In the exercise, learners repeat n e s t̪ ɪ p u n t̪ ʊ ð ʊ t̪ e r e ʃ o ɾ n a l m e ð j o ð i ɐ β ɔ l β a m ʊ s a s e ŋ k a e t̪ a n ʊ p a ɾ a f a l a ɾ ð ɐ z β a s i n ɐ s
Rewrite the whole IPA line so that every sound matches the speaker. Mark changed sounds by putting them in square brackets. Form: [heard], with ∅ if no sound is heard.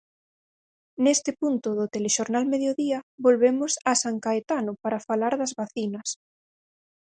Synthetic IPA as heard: n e s t̪ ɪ p u n t̪ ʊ ð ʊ t̪ e [l] e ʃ o ɾ n a l m e ð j o ð i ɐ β [o] l β [e] m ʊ s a s [a] ŋ k a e t̪ a n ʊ p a ɾ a f a l a ɾ ð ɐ z β a [θ] i n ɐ s